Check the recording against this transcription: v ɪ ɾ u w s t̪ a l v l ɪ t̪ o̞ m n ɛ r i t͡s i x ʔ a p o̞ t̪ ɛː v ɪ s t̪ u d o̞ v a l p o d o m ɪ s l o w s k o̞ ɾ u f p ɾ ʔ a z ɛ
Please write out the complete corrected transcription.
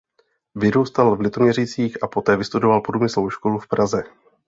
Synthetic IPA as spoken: v ɪ ɾ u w s t̪ a l v l ɪ t̪ o̞ m ɲ ɛ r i t͡s iː x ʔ a p o̞ t̪ ɛː v ɪ s t̪ u d o̞ v a l p o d u m ɪ s l o w ʃ k o̞ l u f p ɾ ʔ a z ɛ